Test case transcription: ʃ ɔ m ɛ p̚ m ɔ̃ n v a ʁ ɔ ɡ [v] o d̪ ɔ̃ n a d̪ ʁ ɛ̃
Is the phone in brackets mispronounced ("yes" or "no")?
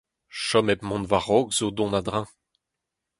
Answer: yes